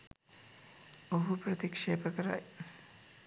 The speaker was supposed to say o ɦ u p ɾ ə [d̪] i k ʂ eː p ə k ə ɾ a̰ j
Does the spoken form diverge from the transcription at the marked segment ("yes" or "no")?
yes